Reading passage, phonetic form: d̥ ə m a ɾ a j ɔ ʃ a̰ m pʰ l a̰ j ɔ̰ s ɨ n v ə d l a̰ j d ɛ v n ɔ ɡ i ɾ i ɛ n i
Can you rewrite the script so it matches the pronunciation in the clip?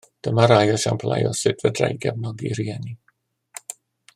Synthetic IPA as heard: d̥ ə m a ɾ a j ɔ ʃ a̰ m pʰ l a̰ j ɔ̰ s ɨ d v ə d r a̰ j ɡ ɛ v n ɔ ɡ i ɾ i ɛ n i